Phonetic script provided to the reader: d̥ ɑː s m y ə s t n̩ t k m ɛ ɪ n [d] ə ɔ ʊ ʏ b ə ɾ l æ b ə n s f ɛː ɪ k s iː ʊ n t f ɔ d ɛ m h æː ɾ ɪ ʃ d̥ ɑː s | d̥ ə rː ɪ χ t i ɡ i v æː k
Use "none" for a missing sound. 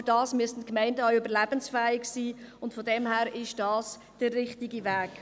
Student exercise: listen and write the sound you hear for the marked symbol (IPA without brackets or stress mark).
d